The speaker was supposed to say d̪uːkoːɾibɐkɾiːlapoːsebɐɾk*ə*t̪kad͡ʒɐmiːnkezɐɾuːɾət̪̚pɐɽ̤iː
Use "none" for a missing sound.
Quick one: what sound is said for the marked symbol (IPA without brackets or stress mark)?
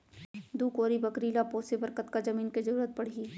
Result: ə